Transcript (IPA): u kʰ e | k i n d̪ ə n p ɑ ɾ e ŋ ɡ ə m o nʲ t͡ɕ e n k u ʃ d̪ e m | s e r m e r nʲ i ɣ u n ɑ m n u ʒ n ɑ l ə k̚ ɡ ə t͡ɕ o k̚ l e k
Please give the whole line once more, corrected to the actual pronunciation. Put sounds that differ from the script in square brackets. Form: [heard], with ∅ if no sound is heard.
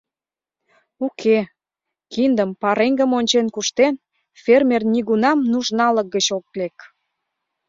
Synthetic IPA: u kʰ e | k i n d̪ ə [m] p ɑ ɾ e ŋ ɡ ə m o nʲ t͡ɕ e n k u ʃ [t̪] e [n] | [f] e r m e r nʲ i ɣ u n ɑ m n u ʒ n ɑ l ə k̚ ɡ ə t͡ɕ o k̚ l e k